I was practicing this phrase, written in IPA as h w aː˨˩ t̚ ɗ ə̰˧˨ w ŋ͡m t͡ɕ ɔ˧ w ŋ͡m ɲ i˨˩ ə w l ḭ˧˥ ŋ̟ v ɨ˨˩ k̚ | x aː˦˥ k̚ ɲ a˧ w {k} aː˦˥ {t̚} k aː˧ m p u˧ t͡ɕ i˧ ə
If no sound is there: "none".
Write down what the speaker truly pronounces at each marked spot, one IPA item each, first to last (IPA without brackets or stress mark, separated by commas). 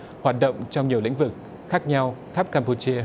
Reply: x, p̚